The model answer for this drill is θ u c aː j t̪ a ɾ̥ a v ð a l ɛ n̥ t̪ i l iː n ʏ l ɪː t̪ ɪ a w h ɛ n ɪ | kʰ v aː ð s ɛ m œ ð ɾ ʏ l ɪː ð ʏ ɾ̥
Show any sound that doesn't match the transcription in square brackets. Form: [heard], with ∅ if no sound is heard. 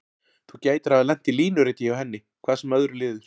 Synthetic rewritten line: θ u c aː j t̪ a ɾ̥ a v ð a l ɛ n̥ t̪ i l iː n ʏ [ɾ] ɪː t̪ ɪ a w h ɛ [nː] ɪ | kʰ v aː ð s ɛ m œ ð ɾ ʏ l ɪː ð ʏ ɾ̥